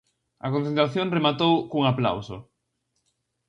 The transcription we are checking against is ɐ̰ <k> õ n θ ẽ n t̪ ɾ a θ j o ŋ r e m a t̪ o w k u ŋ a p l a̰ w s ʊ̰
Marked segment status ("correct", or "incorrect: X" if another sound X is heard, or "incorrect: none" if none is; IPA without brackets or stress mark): correct